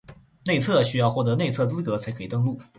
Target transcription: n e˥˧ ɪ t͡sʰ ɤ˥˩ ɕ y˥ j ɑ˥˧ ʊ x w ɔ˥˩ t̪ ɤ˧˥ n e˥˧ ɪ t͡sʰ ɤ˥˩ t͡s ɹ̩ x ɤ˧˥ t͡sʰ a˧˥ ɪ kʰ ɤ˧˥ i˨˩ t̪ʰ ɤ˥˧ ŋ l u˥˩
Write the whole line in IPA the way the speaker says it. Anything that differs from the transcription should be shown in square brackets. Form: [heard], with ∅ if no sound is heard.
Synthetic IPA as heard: n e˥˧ ɪ t͡sʰ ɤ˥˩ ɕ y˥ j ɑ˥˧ ʊ x w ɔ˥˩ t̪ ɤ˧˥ n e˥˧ ɪ t͡sʰ ɤ˥˩ t͡s ɹ̩ [k] ɤ˧˥ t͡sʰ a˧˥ ɪ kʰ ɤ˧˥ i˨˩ [t̪] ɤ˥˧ ŋ l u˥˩